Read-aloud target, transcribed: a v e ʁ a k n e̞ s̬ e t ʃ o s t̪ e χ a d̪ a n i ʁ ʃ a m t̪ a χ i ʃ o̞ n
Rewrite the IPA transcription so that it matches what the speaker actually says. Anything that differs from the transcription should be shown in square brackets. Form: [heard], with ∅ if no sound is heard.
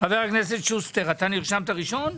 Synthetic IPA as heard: a v e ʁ a k n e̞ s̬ e t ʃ [u] s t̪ e [ʁ] a [t̪] a n i ʁ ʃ a m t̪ a [ʁ] i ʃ o̞ n